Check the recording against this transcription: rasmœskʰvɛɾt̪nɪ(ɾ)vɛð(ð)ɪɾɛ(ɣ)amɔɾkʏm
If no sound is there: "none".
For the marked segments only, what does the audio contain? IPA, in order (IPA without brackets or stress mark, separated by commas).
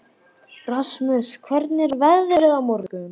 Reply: ɾ, ð, ɣ